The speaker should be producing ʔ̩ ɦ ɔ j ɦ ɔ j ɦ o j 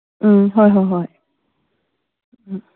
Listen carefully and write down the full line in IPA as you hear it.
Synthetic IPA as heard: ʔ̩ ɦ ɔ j ɦ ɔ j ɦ ɔ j